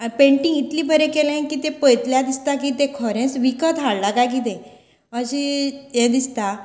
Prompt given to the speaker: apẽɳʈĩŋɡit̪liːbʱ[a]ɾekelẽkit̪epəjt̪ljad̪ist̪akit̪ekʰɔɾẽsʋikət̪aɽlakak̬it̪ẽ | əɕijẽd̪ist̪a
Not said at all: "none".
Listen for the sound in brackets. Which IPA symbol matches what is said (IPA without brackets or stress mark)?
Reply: ə